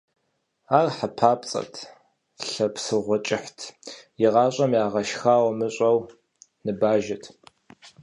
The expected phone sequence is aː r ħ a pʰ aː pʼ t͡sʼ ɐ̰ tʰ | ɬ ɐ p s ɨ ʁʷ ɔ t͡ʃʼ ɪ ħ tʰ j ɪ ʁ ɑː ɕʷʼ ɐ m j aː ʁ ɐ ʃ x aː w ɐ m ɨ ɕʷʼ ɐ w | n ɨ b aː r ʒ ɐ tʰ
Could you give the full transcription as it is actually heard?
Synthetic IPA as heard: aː r ħ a pʰ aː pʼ t͡sʼ ɐ̰ tʰ | ɬ ɐ p s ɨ ʁʷ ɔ t͡ʃʼ ɪ ħ tʰ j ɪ ʁ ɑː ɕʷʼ ɐ m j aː ʁ ɐ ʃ x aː w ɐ m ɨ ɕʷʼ ɐ w | n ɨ b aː ʒ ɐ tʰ